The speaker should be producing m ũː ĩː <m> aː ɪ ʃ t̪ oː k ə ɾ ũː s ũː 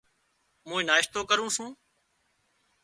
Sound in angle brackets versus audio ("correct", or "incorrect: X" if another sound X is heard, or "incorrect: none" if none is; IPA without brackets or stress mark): incorrect: n